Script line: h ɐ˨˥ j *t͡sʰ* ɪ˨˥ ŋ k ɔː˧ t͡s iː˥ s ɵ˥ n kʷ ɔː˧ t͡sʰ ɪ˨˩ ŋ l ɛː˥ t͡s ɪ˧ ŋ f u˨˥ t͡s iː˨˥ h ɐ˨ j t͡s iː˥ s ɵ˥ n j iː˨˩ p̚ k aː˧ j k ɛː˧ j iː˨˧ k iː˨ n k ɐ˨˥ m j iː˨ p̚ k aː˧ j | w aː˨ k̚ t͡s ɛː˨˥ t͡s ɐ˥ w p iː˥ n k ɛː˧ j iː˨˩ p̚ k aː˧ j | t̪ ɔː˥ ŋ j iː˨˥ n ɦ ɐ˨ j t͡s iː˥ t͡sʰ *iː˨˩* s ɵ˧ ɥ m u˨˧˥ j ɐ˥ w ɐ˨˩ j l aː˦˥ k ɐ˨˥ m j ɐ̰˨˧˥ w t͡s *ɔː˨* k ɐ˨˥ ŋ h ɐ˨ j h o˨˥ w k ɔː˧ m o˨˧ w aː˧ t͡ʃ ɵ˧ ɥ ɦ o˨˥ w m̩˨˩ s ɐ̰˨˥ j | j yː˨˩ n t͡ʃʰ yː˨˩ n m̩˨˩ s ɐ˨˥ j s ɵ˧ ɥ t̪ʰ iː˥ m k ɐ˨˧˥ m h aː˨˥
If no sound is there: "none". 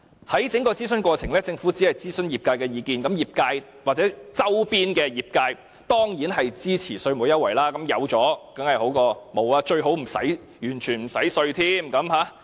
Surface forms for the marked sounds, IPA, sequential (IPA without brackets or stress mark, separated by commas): t͡s, iː˨˩, ɔː˨˥